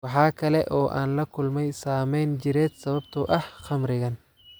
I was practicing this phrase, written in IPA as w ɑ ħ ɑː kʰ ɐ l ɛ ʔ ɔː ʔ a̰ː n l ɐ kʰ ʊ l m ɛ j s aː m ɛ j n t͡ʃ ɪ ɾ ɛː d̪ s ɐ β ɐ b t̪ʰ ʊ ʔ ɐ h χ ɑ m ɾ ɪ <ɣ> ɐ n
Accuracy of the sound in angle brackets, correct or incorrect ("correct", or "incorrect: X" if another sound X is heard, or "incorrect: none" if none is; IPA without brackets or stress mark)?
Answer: correct